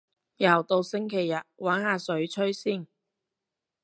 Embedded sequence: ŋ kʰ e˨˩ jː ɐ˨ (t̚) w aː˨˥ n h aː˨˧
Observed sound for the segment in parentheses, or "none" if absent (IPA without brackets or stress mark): t̚